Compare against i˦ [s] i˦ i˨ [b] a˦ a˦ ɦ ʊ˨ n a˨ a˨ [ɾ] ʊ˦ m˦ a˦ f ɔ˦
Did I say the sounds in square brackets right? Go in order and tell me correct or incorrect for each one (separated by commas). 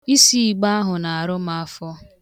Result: correct, incorrect, correct